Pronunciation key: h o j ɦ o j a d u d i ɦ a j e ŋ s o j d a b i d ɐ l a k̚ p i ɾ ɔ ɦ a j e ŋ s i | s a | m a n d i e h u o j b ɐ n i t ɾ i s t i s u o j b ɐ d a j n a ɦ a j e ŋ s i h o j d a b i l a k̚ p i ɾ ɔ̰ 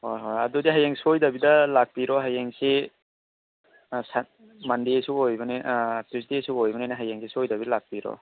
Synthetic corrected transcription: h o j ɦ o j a d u d i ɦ a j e ŋ s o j d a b i d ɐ l a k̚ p i ɾ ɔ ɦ a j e ŋ s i | s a | m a n d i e s u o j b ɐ n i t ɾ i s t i s u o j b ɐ n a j n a ɦ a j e ŋ s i s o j d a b i l a k̚ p i ɾ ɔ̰